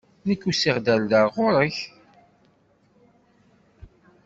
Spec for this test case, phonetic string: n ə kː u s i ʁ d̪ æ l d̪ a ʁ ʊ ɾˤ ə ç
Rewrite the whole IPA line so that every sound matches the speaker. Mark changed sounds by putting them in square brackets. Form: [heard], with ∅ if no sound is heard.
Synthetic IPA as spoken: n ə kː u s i ʁ d̪ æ l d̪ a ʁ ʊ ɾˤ ə ç